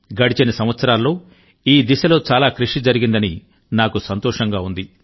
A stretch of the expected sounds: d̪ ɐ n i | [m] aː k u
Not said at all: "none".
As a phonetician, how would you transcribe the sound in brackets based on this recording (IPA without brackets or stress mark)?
n